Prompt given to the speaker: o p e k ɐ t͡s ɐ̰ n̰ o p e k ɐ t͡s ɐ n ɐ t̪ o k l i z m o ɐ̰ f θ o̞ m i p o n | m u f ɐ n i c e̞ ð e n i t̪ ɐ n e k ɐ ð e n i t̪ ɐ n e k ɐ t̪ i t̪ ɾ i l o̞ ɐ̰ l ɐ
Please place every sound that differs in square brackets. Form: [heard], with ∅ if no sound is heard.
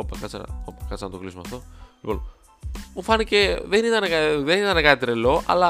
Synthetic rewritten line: o p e k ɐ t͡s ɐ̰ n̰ o p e k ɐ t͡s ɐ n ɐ t̪ o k l i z m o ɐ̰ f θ o̞ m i p o n | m u f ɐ n i c e̞ ð e n i t̪ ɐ n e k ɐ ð e n i t̪ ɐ n e k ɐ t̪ i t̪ ɾ [e] l o̞ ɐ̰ l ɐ